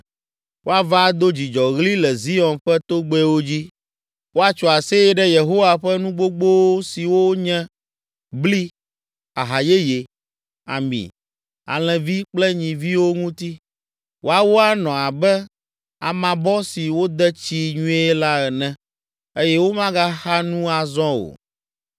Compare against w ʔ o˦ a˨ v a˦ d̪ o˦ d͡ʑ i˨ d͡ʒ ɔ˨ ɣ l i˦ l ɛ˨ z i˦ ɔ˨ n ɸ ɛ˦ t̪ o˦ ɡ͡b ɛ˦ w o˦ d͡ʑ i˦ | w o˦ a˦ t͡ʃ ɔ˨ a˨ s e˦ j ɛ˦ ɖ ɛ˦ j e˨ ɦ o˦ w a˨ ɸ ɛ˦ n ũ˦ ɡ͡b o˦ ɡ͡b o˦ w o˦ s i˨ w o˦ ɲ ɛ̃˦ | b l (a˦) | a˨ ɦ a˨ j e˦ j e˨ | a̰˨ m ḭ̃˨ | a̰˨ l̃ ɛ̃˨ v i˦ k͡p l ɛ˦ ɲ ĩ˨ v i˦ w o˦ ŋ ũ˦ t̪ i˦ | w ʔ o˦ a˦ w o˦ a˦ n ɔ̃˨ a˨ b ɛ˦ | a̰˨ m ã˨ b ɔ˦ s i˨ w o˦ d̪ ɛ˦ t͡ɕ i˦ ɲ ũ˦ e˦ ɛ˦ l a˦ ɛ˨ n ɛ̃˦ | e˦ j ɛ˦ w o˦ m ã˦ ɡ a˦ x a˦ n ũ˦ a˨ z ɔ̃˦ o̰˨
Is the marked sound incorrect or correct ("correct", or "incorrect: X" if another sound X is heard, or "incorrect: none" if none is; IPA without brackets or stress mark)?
incorrect: i˦